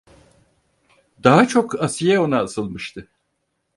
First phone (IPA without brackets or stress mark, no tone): d̪